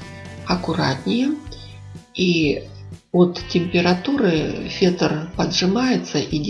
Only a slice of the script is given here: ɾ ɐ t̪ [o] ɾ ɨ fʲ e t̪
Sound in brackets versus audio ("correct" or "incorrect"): incorrect